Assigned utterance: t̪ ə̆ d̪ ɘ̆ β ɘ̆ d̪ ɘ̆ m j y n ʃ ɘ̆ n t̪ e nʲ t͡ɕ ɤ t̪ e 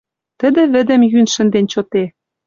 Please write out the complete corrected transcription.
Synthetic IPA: t̪ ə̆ d̪ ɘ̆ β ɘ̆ d̪ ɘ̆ m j y n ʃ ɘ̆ n d̪ e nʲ t͡ɕ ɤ t̪ e